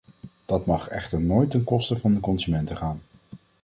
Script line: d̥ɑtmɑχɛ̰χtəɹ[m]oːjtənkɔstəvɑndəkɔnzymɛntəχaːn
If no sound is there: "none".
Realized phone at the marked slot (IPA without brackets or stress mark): n